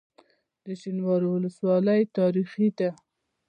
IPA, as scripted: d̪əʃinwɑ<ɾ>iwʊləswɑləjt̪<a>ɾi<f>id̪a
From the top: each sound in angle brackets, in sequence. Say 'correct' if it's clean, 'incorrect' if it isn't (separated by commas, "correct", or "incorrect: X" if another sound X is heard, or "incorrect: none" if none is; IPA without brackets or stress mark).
correct, incorrect: ɑ, incorrect: x